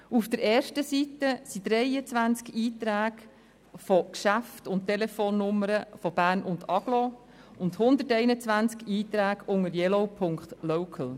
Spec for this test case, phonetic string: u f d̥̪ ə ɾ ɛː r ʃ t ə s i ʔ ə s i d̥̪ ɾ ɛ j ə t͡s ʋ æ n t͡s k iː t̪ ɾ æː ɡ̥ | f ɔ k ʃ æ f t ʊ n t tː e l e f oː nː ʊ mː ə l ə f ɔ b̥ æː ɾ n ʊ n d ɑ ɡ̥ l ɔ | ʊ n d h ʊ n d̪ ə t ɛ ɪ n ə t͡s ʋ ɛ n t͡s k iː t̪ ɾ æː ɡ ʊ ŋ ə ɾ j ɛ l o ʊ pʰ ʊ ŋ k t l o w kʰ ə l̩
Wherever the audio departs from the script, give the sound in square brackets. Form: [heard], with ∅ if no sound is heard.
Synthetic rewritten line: u f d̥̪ ə ɾ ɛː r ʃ t ə s i [t] ə s i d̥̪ ɾ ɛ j ə t͡s ʋ æ n t͡s k iː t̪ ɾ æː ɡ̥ | f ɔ k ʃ æ f t ʊ n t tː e l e f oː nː ʊ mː ə [ɾ] ə f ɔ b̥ æː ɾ n ʊ n d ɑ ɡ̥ l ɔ | ʊ n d h ʊ n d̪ ə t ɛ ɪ n ə t͡s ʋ [æ] n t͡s k iː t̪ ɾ æː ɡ ʊ ŋ ə ɾ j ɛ l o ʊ pʰ ʊ ŋ k t l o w kʰ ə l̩